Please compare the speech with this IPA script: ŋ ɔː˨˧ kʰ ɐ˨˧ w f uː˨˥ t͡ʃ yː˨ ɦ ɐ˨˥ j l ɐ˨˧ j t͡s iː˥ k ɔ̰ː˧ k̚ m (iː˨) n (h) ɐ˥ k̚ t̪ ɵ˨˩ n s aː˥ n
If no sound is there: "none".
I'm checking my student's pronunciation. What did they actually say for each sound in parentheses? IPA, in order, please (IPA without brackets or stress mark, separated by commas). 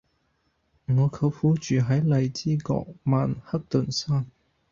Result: aː˨, h